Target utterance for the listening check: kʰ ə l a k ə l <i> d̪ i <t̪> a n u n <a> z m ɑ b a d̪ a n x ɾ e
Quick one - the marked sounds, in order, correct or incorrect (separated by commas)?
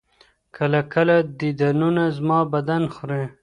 incorrect, incorrect, correct